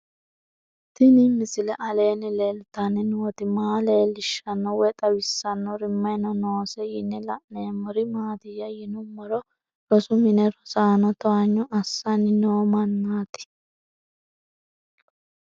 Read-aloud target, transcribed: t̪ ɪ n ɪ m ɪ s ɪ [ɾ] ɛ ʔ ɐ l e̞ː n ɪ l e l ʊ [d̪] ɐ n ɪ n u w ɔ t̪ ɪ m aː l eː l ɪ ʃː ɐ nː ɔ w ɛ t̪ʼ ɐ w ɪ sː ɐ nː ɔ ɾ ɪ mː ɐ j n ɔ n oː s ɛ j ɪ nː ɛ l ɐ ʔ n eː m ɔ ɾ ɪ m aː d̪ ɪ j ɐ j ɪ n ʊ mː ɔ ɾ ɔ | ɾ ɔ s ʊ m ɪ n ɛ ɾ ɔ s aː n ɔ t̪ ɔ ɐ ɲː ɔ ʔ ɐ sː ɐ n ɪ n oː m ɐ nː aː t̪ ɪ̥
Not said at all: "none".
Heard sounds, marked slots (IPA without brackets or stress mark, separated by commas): l, t̪